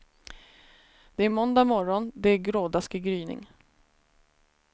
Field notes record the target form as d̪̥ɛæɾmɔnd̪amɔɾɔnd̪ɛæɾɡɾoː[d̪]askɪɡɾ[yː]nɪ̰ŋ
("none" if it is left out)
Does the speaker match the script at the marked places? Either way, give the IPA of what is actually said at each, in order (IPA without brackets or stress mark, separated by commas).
d̪, yː